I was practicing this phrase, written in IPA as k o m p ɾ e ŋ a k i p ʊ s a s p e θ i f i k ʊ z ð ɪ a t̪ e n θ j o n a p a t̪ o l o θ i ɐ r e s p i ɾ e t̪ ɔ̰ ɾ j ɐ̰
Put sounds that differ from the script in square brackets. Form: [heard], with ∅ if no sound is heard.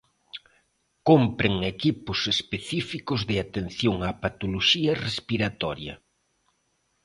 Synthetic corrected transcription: k o m p ɾ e ŋ [e] k i p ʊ s [e] s p e θ i f i k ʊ z ð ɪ a t̪ e n θ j o [ŋ] a p a t̪ o l o [ʃ] i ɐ r e s p i ɾ [a] t̪ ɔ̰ ɾ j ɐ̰